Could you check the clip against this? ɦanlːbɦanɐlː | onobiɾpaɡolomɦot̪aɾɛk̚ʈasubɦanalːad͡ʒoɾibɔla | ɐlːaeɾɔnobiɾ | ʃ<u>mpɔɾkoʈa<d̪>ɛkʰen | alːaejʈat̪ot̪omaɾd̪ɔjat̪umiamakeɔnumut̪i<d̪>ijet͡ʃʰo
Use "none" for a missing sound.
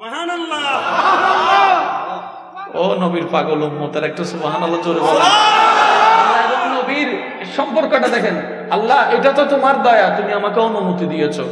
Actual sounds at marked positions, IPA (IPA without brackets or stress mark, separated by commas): ɔ, d̪, d̪